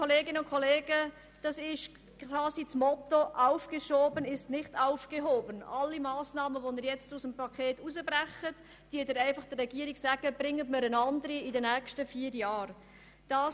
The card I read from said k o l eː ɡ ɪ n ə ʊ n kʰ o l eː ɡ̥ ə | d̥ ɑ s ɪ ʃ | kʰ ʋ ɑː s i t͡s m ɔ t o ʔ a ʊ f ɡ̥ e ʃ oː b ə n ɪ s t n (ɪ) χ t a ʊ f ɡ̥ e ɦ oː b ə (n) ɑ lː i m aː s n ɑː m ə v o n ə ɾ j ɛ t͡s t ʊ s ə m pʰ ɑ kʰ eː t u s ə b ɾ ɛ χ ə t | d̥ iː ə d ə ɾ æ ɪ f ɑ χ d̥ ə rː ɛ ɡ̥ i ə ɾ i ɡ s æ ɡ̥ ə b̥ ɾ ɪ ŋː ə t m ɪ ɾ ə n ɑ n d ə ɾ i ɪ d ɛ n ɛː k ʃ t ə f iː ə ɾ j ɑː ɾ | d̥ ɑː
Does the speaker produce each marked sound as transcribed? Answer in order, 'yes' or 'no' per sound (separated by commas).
yes, yes